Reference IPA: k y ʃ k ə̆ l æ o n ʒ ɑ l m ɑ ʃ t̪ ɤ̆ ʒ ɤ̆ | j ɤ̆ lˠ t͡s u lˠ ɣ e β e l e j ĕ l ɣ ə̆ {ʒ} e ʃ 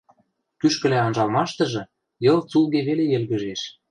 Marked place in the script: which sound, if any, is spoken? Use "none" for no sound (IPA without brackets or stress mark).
ʒ